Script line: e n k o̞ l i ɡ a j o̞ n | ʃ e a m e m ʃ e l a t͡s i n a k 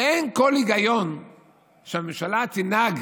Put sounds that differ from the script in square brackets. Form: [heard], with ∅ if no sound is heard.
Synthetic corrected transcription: e n k o̞ l i ɡ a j o̞ n | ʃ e a m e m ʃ [a] l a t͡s i n a [ɡ]